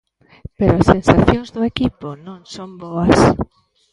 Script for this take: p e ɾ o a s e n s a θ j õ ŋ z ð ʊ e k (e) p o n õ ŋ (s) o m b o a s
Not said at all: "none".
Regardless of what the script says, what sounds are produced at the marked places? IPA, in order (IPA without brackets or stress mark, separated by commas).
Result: i, s